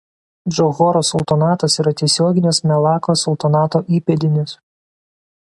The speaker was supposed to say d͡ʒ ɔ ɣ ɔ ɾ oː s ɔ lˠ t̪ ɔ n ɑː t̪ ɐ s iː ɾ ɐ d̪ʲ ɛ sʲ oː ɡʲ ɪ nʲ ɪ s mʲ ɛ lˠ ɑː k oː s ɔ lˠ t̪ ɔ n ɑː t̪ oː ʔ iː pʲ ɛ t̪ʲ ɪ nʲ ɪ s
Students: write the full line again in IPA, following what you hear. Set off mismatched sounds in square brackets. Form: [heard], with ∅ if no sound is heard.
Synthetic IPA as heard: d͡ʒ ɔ ɣ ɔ ɾ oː s ɔ lˠ t̪ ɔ n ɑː t̪ ɐ s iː ɾ ɐ [t̪ʲ] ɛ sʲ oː ɡʲ ɪ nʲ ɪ s mʲ ɛ lˠ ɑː k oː s ɔ lˠ t̪ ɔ n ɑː t̪ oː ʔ iː pʲ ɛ [d̪ʲ] ɪ nʲ ɪ s